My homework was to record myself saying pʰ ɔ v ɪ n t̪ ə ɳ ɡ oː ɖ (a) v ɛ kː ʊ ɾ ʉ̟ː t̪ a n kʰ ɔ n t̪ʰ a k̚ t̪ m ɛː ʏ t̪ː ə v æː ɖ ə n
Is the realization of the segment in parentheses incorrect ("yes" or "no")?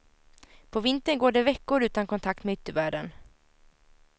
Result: yes